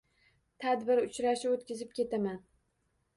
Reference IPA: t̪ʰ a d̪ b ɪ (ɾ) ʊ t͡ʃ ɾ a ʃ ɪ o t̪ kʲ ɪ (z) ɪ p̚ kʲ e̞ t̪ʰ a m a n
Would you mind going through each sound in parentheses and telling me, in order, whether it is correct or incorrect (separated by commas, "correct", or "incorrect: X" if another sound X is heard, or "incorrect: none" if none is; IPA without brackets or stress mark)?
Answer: correct, correct